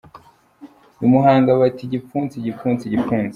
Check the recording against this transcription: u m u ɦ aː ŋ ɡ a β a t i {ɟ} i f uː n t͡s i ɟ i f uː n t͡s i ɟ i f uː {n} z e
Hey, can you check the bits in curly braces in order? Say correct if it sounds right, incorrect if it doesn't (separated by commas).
correct, correct